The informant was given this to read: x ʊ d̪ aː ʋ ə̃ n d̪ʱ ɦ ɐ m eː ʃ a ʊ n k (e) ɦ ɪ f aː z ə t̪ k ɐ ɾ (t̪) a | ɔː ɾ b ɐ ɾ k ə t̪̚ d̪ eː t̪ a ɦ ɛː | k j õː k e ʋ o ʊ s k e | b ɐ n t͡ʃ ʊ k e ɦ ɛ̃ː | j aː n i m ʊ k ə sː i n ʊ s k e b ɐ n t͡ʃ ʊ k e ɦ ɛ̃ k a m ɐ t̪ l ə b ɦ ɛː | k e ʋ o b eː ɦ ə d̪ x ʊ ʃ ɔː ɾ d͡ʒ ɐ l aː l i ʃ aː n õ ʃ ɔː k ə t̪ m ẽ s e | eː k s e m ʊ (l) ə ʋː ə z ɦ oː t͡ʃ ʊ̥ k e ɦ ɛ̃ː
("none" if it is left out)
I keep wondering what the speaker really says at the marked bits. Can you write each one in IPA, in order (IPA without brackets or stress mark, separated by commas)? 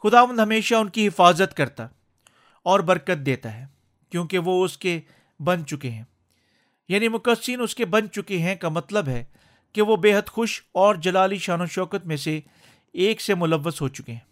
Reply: i, t̪, l